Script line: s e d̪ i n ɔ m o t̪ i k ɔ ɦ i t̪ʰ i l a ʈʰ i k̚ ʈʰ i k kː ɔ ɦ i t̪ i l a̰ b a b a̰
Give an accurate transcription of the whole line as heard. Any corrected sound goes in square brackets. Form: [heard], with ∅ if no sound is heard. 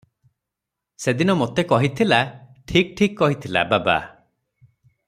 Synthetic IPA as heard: s e d̪ i n ɔ m o t̪ [e] k ɔ ɦ i t̪ʰ i l a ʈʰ i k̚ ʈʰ i k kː ɔ ɦ i [t̪ʰ] i l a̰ b a b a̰